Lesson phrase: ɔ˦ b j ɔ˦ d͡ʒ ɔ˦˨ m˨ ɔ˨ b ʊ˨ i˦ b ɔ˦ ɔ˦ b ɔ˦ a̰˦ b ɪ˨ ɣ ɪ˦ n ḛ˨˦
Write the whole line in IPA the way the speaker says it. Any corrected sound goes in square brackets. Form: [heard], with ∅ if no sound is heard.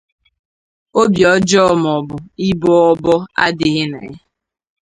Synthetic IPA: [o˦] b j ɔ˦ d͡ʒ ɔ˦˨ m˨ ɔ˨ b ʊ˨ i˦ b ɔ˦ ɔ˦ b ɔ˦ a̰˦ [d] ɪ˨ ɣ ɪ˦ n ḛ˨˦

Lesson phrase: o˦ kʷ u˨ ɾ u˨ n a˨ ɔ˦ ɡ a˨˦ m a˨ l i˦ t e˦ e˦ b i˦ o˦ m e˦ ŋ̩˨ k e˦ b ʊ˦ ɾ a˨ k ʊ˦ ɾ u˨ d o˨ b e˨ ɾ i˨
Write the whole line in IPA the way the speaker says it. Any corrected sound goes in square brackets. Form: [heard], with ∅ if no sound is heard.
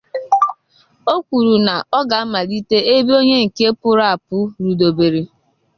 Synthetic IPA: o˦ kʷ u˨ ɾ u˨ n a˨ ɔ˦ ɡ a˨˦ m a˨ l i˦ t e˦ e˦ b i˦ o˦ [ɲ] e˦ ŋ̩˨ k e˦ [p] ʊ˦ ɾ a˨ [p] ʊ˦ ɾ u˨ d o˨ b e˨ ɾ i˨

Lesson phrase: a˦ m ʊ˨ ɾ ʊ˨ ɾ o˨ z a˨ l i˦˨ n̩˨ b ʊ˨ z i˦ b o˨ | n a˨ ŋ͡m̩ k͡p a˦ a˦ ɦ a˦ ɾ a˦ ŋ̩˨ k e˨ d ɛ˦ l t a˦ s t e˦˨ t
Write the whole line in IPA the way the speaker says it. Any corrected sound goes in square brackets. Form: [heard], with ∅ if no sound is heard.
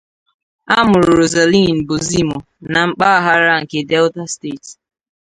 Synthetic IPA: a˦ m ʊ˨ ɾ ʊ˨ ɾ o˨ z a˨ l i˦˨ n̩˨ b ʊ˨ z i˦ [m] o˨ | n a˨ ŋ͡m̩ k͡p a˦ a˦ ɦ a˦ ɾ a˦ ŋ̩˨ k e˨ d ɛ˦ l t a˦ s t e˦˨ t

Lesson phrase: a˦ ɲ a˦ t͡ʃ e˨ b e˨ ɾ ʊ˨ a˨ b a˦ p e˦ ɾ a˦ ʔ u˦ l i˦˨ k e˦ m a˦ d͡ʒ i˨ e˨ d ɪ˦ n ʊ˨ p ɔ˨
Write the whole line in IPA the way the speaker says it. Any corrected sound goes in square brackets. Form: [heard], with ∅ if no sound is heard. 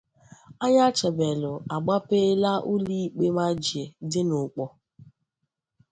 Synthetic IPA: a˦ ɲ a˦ t͡ʃ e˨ b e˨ [l] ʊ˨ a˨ [ɡ͡b] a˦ p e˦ [l] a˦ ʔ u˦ l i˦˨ [k͡p] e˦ m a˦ d͡ʒ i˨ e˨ d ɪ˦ n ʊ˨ [k͡p] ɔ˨

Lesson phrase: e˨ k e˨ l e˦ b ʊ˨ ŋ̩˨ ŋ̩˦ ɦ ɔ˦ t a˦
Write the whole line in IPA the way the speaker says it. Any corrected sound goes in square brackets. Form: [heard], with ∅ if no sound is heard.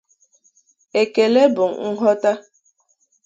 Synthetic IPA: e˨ k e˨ l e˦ b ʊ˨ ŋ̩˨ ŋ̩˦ ɦ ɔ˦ t a˦

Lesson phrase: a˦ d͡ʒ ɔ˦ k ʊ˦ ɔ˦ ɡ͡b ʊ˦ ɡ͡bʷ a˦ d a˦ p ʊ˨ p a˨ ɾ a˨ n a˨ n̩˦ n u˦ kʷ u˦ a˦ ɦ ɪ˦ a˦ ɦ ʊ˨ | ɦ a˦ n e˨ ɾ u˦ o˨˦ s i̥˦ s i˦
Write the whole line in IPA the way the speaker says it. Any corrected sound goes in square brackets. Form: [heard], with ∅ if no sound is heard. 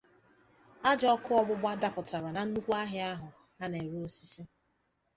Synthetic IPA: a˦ d͡ʒ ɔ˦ k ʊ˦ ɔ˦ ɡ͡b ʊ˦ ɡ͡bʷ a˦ d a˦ p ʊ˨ [t] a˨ ɾ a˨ n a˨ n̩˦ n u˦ kʷ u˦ a˦ ɦ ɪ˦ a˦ ɦ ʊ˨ | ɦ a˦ n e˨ ɾ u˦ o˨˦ s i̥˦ s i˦

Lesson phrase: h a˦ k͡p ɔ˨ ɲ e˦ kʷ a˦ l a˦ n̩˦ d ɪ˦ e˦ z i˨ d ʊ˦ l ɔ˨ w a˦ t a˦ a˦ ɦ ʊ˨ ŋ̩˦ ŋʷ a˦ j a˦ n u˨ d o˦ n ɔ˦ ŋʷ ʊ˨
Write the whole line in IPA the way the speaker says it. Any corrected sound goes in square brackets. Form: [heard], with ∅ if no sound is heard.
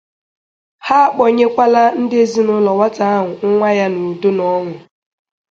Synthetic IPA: h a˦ k͡p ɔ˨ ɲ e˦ kʷ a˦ l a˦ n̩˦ d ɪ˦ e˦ z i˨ [n] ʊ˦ l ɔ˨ w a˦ t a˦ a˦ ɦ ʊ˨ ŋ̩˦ ŋʷ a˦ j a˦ n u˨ d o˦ n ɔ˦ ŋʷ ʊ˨

